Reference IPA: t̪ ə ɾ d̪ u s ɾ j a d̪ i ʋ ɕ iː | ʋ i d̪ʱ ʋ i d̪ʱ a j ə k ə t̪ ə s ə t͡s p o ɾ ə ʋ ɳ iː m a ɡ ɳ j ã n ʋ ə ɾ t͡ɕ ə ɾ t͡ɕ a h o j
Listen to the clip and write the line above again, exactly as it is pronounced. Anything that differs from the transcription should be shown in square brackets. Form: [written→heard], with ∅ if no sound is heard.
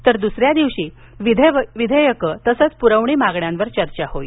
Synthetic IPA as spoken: t̪ ə ɾ d̪ u s ɾ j a d̪ i ʋ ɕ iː | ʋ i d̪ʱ ʋ i d̪ʱ [a→ə] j ə k ə t̪ ə s ə t͡s p [o→u] ɾ ə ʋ ɳ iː m a ɡ ɳ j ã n ʋ ə ɾ t͡ɕ ə ɾ t͡ɕ a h o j